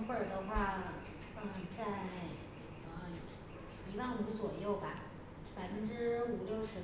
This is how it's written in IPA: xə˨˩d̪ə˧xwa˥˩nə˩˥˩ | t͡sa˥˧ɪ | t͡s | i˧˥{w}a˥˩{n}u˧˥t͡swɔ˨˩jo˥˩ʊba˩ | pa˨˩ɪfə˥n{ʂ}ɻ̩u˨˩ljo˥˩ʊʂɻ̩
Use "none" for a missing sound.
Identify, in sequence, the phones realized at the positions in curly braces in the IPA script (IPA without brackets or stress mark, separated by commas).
w, n, ʈ͡ʂ